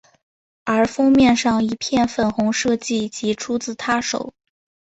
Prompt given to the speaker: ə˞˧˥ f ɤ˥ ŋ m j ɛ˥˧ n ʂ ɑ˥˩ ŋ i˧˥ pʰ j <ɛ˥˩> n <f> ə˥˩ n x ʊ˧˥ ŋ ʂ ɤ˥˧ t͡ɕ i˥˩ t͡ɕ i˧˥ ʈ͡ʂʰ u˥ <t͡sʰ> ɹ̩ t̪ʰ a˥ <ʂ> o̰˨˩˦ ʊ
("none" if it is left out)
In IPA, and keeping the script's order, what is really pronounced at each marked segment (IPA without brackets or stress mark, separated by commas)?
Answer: ɛ˥˩, f, t͡s, ʂ